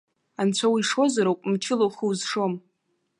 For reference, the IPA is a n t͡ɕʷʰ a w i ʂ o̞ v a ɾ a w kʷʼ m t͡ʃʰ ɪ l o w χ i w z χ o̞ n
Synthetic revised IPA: a n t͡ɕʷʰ a w i ʂ o̞ z a ɾ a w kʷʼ m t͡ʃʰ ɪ l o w χ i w z ʂ o̞ m

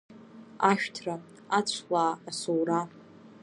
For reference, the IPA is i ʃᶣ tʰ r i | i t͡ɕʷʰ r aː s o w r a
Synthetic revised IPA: a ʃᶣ tʰ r a | a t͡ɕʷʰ l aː s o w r a

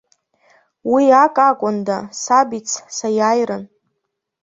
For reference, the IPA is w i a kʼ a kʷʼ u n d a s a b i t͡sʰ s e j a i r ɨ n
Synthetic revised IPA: w i a kʼ a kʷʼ ʊ n d a s a b i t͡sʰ s a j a j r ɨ n

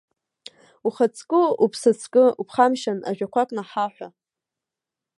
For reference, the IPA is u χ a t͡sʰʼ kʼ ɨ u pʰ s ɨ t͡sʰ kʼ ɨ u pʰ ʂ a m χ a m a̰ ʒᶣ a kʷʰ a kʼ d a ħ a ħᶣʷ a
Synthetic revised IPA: u χ a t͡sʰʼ kʼ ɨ u pʰ s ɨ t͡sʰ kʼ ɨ u pʰ χ a m ʃ a n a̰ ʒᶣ a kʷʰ a kʼ n a ħ a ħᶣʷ a

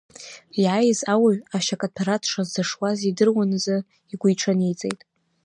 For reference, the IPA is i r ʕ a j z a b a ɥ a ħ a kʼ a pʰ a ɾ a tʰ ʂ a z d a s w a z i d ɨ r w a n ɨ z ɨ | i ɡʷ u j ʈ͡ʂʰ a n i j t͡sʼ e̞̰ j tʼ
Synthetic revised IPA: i ʕ a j z a w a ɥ a ʃ a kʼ a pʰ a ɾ a tʰ ʂ a z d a ʂ w a z i d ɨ r w a n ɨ z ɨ | i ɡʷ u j ʈ͡ʂʰ a n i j t͡sʼ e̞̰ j tʼ

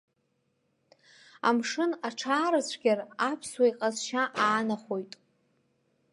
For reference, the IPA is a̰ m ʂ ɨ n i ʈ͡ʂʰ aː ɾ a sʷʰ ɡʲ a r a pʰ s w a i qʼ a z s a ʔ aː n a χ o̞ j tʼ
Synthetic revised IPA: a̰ m ʂ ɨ n a ʈ͡ʂʰ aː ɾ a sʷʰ ɡʲ a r a pʰ s w a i qʼ a z ʃ a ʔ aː n a χ o̞ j tʼ

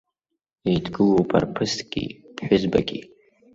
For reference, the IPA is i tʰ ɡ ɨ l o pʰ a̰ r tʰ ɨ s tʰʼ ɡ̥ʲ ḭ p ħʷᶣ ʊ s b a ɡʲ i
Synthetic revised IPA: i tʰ ɡ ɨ l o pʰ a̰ r pʰ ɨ s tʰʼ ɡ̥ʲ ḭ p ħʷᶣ ʊ z b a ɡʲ i

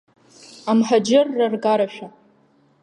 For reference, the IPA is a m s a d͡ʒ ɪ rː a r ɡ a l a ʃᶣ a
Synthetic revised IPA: a m ħ a d͡ʒ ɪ rː a r ɡ a ɾ a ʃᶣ a

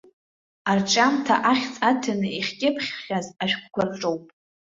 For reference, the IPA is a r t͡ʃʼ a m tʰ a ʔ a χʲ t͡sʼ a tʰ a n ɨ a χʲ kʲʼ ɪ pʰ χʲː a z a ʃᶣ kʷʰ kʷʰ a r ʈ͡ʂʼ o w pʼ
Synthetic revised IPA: a r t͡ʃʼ a m tʰ a ʔ a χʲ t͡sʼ a tʰ a n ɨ i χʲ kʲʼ ɪ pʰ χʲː a z a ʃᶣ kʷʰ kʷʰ a r ʈ͡ʂʼ o w pʼ

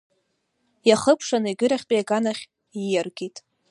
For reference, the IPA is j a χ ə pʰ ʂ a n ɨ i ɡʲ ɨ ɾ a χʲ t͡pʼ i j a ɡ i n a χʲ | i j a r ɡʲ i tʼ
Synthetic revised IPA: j a χ ə pʰ ʂ a n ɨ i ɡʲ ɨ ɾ a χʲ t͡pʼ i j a ɡ a n a χʲ | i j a r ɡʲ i tʼ

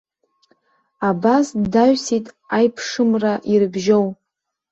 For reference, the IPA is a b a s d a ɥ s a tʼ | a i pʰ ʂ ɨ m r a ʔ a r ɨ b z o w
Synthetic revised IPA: a b a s d a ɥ s i tʼ | a j pʰ ʂ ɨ m r a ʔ i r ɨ b ʒ o w

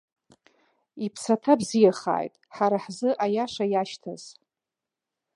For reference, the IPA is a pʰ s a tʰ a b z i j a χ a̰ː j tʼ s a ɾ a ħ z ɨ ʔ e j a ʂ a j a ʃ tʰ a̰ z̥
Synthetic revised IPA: i pʰ s a tʰ a b z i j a χ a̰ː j tʼ ħ a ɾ a ħ z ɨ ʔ a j a ʂ a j a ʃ tʰ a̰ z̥

